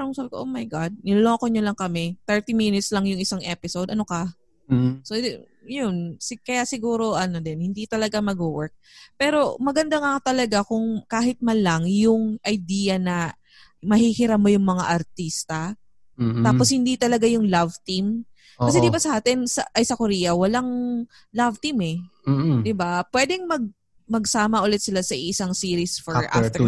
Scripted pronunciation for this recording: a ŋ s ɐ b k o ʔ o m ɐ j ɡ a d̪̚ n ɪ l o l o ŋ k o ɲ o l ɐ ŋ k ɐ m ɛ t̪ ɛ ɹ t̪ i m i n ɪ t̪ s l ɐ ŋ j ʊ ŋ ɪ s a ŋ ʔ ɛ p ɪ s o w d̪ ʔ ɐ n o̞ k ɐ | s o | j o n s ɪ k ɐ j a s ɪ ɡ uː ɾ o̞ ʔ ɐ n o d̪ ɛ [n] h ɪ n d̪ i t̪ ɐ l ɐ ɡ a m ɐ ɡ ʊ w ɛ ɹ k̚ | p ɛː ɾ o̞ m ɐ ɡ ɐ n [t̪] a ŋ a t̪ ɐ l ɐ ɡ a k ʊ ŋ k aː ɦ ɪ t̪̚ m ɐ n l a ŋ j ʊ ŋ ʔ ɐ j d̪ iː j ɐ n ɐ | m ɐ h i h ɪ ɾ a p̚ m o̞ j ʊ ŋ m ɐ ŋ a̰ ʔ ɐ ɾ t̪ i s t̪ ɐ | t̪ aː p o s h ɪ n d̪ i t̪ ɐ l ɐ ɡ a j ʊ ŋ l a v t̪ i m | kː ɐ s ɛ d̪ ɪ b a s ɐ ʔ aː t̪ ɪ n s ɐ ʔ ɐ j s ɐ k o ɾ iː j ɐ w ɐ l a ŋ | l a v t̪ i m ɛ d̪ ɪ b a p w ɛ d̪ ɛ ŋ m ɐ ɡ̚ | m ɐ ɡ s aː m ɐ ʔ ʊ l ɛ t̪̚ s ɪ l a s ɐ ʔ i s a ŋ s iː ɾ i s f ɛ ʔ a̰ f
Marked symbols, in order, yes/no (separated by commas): yes, no